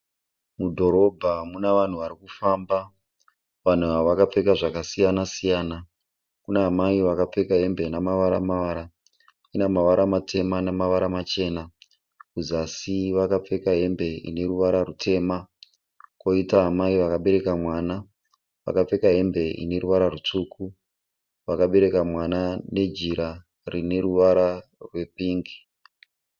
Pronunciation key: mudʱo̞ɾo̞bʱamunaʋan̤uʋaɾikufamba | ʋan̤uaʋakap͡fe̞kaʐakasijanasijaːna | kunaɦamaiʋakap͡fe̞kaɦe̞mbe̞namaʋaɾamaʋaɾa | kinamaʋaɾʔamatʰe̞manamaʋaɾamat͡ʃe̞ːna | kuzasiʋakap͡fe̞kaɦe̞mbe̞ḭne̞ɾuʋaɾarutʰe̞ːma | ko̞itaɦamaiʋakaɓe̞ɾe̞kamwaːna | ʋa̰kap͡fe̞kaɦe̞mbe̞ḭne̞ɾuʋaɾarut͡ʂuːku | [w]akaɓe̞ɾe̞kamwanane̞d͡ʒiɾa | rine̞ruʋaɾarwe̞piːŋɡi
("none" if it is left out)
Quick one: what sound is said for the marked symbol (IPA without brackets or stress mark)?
ʋ